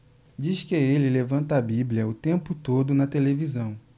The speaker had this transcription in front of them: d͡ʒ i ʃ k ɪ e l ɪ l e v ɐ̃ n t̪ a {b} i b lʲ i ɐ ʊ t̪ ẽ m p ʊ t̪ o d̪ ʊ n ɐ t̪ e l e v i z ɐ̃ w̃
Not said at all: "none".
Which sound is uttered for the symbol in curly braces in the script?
b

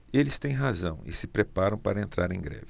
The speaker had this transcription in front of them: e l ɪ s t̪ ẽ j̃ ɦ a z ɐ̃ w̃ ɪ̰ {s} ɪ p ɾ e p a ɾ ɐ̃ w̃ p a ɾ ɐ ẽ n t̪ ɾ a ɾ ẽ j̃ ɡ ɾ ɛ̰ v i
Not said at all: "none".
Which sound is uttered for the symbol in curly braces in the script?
s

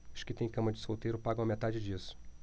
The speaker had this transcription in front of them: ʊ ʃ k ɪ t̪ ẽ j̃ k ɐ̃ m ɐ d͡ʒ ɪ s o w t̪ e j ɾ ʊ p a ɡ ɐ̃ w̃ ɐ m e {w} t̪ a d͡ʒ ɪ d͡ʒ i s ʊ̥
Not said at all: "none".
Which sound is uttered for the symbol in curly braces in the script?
none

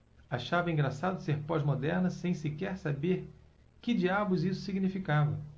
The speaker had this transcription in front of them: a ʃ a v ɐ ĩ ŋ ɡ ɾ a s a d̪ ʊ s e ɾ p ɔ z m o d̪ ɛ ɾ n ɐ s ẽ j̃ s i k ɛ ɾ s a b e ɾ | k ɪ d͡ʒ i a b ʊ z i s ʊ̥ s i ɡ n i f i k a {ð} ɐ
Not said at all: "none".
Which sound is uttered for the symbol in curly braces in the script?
v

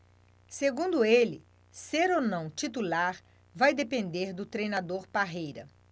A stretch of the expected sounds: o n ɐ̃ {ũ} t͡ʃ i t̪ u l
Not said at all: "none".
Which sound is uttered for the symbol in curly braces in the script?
w̃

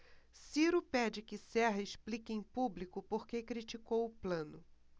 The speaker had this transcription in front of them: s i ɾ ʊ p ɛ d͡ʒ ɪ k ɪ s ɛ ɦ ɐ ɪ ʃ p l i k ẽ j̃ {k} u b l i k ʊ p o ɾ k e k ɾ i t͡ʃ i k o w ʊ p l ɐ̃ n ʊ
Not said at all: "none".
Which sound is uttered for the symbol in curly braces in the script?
p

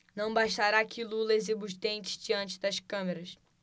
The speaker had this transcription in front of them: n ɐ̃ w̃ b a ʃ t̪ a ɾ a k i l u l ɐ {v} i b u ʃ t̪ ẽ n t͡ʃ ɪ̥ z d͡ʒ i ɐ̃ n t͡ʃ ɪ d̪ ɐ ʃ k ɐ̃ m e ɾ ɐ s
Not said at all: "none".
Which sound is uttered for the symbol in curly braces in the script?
z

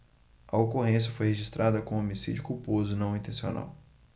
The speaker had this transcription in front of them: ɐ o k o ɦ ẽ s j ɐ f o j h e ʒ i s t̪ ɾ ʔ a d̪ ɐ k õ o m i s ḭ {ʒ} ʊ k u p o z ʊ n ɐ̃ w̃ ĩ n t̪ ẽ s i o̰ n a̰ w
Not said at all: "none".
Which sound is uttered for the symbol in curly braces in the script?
d͡ʒ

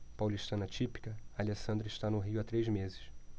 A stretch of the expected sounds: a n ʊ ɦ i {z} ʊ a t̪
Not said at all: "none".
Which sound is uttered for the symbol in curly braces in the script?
none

